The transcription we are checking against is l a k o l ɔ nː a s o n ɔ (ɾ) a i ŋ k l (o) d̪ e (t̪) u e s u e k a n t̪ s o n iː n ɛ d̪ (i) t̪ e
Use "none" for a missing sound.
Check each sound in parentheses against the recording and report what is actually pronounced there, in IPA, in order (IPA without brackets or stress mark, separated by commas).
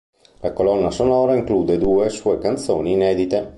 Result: ɾ, u, d̪, i